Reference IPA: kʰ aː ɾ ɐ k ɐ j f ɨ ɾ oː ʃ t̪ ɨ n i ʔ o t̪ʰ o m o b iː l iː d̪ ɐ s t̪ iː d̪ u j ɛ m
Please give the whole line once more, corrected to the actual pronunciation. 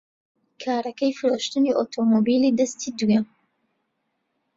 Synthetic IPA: kʰ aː ɾ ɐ k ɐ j f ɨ ɾ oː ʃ t̪ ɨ n i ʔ o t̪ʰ o m o b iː l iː d̪ ɐ s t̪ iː d̪ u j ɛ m